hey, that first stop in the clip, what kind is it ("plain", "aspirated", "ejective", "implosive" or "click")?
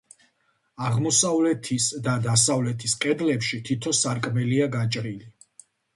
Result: aspirated